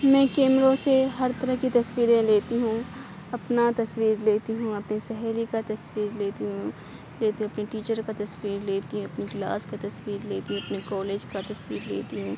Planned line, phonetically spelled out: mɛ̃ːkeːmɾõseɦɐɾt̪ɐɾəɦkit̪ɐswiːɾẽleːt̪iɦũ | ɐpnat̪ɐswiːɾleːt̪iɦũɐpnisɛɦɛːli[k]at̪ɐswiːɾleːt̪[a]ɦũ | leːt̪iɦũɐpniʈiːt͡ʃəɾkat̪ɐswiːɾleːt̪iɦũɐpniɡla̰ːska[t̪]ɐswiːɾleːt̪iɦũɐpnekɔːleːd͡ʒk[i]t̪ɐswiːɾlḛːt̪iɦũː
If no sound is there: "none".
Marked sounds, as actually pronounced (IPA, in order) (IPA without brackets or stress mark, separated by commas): k, i, t̪, a